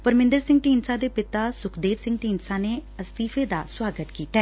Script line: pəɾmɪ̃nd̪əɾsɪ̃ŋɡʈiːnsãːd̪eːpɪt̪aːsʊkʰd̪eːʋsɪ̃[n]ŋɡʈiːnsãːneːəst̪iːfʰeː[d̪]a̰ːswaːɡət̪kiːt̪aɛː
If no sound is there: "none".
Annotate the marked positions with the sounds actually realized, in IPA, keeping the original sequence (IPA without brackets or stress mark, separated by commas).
none, d̪